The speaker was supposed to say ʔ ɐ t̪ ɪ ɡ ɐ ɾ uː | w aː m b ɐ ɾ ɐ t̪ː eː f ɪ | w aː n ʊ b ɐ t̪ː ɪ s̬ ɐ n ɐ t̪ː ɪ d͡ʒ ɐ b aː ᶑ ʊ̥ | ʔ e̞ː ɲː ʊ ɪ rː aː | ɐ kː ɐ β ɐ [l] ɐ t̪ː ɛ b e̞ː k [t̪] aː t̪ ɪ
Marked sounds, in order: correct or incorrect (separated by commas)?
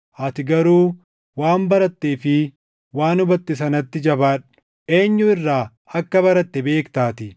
incorrect, correct